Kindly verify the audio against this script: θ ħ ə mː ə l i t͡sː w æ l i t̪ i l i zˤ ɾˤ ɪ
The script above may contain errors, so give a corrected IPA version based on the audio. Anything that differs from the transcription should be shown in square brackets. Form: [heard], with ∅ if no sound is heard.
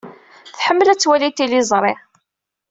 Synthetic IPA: θ ħ ə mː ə l [æ] t͡sː w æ l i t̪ i l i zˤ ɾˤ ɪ